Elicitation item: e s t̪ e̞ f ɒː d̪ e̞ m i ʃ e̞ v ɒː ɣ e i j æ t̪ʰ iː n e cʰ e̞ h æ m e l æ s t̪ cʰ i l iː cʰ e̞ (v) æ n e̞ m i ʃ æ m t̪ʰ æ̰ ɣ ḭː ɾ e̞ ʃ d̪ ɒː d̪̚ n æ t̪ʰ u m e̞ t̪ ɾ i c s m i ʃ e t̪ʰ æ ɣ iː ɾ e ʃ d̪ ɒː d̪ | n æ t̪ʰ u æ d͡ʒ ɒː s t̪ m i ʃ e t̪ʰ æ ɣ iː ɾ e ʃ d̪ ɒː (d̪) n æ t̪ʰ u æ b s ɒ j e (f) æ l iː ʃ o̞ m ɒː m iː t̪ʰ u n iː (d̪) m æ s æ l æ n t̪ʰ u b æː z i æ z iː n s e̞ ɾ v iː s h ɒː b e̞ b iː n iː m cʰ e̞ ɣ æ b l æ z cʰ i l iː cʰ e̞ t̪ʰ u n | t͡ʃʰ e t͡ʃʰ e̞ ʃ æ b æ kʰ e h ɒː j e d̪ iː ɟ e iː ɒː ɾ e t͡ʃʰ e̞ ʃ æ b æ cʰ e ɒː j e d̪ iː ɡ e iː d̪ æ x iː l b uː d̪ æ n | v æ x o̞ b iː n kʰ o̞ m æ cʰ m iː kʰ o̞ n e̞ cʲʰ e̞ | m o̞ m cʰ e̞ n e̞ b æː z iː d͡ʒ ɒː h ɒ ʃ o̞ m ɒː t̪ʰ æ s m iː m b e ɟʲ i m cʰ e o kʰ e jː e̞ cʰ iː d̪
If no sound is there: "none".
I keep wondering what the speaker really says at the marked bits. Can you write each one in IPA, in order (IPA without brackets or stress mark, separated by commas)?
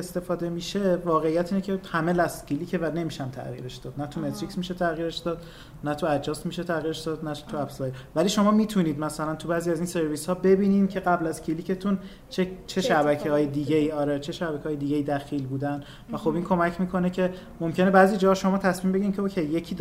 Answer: v, d̪, v, d̪